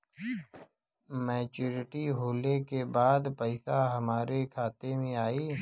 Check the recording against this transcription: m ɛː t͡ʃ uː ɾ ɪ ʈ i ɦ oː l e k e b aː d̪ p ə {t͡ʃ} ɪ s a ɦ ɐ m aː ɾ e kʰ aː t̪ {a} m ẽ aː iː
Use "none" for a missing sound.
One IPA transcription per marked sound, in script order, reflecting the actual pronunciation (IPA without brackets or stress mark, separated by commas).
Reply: none, e